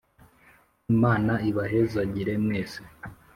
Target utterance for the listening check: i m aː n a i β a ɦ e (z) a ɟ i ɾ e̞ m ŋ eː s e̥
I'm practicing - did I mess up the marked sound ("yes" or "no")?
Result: no